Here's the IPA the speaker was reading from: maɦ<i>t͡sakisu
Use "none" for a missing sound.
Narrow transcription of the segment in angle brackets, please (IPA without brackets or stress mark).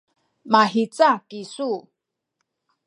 i